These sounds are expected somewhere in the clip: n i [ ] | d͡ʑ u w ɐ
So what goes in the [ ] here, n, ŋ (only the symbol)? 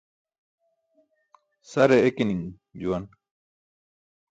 ŋ